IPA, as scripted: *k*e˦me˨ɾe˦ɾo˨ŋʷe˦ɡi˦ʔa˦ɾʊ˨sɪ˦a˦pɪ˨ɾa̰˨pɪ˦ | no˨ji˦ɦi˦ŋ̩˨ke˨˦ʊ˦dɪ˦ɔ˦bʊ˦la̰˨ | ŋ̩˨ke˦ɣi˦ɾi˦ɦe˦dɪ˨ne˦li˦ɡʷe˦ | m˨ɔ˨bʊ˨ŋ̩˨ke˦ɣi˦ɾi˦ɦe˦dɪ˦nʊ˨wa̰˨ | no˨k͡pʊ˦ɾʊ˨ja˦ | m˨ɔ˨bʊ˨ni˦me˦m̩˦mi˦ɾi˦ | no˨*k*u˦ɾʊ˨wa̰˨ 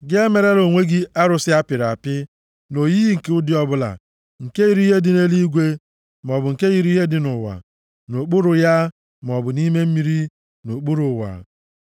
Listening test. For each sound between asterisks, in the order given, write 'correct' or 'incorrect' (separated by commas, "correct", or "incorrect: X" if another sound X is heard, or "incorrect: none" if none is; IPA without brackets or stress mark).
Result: incorrect: ɡ, incorrect: k͡p